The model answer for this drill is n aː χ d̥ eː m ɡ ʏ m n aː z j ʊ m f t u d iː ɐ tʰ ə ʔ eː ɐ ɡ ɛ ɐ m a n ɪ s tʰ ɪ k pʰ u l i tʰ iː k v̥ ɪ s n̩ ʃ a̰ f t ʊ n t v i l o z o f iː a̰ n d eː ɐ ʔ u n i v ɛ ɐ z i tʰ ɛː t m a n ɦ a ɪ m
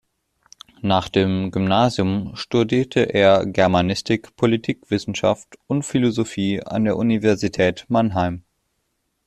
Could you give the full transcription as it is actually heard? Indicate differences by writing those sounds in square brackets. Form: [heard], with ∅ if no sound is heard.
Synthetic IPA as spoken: n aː χ d̥ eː m ɡ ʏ m n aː z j ʊ m [ʃ] t u d iː ɐ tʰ ə ʔ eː ɐ ɡ ɛ ɐ m a n ɪ s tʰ ɪ k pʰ [o] l i tʰ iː k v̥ ɪ s n̩ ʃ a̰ f t ʊ n t [f] i l o z o f iː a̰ n d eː ɐ ʔ u n i v ɛ ɐ z i tʰ ɛː t m a n ɦ a ɪ m